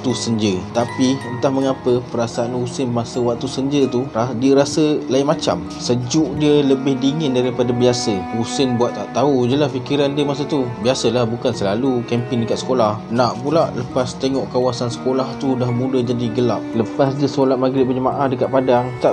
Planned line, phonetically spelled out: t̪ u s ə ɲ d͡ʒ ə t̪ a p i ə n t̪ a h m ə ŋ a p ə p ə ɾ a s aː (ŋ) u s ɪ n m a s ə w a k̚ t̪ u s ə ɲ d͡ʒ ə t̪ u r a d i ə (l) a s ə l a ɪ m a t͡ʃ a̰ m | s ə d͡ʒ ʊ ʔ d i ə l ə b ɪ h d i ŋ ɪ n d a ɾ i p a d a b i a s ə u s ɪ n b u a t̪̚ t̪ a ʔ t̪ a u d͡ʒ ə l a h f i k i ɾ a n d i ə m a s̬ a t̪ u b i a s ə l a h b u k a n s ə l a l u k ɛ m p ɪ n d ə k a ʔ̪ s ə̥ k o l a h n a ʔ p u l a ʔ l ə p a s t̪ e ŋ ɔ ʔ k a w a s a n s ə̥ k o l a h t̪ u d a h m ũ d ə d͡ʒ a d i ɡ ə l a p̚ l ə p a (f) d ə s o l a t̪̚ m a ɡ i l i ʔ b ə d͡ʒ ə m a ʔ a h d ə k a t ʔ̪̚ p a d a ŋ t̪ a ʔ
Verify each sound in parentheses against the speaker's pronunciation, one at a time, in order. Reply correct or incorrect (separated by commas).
incorrect, incorrect, incorrect